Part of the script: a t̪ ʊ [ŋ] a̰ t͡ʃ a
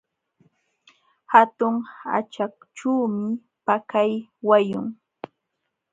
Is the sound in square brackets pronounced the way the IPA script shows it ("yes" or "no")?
yes